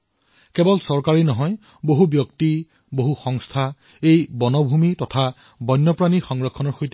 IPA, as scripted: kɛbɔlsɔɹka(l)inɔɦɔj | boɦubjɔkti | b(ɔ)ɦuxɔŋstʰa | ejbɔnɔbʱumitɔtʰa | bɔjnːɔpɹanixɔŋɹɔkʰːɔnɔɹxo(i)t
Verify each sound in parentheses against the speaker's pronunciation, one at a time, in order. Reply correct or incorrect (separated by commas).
incorrect, incorrect, incorrect